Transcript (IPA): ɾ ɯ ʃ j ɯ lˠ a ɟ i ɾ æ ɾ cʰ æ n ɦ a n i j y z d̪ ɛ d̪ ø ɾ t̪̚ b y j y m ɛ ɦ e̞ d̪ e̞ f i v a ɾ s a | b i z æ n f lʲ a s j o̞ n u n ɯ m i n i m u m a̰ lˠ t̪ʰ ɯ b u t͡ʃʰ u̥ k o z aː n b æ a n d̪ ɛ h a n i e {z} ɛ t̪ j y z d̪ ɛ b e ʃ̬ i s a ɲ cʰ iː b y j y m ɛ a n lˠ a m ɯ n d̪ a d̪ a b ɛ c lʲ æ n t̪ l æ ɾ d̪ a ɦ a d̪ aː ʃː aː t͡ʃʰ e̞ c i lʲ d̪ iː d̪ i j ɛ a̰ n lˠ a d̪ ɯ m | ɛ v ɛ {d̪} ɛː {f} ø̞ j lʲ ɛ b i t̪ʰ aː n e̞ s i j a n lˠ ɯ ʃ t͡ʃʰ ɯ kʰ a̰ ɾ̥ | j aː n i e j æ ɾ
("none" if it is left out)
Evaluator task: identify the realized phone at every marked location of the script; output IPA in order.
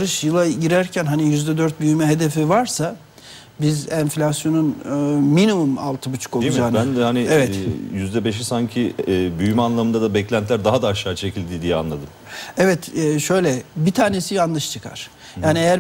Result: v, t̪, ʃ

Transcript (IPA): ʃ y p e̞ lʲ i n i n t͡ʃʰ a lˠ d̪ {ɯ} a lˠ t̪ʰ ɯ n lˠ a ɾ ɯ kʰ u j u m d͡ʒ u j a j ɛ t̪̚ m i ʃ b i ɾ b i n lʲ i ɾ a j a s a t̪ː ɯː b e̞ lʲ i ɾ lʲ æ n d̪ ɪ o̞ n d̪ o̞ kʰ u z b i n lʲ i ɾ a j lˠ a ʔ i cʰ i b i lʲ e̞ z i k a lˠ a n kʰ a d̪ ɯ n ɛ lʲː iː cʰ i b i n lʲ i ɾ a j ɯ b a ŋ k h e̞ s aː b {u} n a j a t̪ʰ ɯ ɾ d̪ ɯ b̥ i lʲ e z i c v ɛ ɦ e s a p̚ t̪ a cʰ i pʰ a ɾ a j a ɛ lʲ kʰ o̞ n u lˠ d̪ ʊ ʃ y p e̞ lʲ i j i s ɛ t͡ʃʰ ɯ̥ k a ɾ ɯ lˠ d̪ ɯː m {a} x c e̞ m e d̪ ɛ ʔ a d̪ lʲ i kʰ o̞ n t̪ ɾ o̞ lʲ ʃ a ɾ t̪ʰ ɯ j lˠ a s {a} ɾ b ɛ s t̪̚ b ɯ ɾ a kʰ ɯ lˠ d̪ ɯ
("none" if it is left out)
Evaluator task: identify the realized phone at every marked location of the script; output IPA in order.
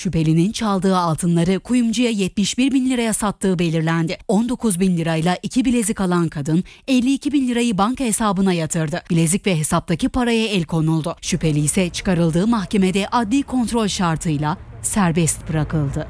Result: ɯː, ɯ, a, æ

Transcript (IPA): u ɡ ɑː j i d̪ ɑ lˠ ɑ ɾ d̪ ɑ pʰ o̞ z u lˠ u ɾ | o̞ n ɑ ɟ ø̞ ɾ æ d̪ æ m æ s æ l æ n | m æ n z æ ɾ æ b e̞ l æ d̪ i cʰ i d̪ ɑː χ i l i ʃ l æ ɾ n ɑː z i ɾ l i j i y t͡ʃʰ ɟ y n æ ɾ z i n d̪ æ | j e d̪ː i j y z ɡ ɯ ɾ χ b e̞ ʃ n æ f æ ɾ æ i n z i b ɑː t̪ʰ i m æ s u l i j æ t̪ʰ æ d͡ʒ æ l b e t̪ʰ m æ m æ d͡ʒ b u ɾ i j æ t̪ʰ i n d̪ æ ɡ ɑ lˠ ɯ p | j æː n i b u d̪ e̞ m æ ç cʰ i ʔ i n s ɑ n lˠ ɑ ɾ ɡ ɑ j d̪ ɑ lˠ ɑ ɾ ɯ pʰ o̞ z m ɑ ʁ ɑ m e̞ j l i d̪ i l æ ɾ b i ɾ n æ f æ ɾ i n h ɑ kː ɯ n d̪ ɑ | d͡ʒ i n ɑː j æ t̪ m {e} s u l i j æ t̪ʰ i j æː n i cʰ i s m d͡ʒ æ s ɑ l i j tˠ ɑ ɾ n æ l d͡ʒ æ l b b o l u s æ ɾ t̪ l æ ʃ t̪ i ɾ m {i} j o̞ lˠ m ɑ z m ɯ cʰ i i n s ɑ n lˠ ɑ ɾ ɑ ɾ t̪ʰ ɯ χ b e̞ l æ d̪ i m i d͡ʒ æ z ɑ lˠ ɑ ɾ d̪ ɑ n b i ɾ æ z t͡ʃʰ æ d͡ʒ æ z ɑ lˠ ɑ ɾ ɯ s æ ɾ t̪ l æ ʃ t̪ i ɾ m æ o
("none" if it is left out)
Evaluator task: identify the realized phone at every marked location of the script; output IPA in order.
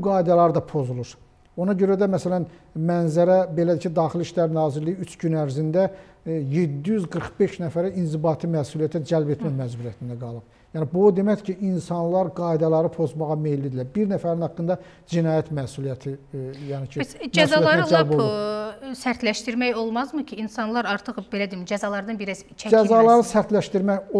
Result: æ, æ

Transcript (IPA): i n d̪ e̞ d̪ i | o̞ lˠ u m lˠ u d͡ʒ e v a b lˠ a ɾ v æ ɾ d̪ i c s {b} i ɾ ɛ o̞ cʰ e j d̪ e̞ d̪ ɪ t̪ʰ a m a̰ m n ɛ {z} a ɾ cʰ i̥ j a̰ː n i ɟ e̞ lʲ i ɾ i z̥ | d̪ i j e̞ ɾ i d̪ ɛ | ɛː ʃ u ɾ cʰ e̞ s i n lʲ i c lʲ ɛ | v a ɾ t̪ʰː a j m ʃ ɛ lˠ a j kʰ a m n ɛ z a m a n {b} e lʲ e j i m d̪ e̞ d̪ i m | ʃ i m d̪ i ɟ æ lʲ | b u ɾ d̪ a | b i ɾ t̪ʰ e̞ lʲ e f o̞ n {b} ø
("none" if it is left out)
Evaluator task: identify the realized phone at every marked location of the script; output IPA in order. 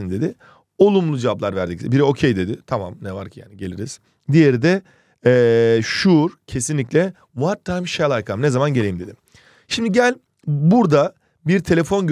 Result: b, v, ɟ, ɟ

